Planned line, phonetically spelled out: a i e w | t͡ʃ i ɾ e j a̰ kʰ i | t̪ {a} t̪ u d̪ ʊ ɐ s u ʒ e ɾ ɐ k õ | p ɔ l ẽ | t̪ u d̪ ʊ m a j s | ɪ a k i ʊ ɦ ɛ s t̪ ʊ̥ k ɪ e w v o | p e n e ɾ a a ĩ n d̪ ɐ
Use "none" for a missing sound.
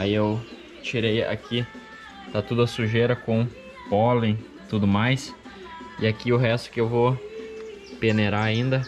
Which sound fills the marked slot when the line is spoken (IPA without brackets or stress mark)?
a